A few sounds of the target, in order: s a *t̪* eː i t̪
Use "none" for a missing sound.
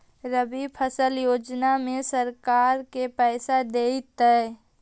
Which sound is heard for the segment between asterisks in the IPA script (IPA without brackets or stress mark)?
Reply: d̪